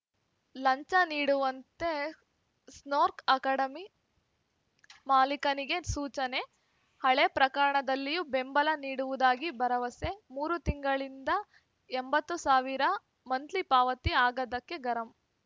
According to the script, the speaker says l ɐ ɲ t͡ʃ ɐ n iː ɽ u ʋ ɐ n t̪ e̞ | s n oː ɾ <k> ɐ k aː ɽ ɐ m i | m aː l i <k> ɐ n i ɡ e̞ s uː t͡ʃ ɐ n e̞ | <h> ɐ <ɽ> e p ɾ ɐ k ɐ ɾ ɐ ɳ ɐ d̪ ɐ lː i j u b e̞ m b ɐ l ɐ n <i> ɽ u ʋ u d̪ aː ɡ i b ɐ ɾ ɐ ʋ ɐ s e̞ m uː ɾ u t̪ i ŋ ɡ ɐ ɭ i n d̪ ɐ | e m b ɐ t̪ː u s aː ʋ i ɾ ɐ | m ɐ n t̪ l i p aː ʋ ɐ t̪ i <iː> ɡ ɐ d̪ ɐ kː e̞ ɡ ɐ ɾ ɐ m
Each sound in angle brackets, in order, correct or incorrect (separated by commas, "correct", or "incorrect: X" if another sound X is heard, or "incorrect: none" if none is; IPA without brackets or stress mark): correct, correct, correct, incorrect: ɭ, incorrect: iː, incorrect: aː